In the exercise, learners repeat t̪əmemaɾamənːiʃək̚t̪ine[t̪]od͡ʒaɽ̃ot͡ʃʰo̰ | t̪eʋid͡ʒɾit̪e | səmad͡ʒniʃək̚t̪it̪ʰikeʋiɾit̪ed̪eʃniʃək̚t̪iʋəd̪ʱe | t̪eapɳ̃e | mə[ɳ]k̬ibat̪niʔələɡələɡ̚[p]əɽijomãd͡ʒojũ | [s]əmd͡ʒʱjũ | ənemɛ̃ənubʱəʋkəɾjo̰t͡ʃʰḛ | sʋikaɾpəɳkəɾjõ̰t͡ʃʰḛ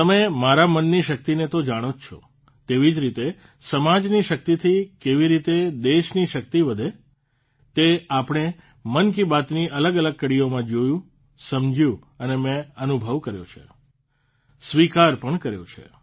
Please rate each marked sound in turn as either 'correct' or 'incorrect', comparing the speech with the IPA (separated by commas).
correct, incorrect, incorrect, correct